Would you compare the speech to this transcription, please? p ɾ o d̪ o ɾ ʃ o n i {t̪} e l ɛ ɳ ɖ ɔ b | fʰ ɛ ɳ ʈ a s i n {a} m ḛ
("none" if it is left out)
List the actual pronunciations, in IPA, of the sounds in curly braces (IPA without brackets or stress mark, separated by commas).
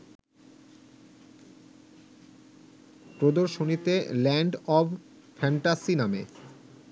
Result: t̪, a